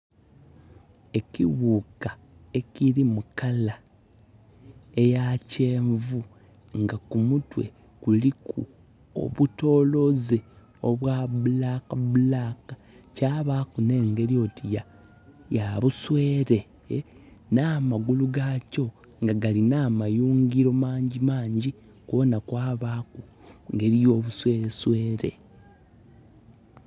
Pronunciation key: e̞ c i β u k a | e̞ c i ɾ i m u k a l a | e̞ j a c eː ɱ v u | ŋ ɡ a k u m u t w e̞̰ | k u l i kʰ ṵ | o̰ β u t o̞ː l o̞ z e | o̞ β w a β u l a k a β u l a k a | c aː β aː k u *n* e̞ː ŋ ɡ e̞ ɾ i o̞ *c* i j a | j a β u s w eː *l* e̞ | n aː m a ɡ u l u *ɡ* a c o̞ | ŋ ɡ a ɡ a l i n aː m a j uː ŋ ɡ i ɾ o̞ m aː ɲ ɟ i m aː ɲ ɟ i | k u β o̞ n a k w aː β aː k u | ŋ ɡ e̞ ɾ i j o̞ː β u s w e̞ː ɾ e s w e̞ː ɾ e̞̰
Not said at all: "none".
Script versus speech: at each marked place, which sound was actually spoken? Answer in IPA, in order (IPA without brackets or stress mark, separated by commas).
n, t, ɾ, ɡ